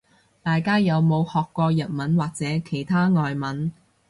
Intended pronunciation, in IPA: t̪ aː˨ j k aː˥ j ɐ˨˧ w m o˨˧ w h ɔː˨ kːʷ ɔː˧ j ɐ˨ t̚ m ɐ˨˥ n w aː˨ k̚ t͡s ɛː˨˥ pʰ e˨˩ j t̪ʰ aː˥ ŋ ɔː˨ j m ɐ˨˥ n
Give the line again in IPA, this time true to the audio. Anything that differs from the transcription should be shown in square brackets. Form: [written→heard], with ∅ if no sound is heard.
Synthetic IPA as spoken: t̪ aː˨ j k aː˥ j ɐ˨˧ w m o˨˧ w h ɔː˨ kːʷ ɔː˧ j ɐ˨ t̚ m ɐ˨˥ n w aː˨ k̚ t͡s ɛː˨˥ [pʰ→kʰ] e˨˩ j t̪ʰ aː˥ ŋ ɔː˨ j m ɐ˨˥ n